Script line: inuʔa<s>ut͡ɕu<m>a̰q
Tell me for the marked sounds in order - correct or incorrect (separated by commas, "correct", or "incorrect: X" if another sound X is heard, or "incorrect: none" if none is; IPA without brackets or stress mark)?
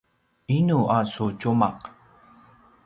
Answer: correct, correct